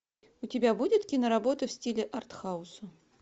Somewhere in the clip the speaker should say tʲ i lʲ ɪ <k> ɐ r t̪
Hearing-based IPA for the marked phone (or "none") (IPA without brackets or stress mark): ʔ